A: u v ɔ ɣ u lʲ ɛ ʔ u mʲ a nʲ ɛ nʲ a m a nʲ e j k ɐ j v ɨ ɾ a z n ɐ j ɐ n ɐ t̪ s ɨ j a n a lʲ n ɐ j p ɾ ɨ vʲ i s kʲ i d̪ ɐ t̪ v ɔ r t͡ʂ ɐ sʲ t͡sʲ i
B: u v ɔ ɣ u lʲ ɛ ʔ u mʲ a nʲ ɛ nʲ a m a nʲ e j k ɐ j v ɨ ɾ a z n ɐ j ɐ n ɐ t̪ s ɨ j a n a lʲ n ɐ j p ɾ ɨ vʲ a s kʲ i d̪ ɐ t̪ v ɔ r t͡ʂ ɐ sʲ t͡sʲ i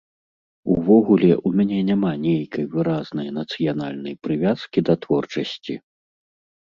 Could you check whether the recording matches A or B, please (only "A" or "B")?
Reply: B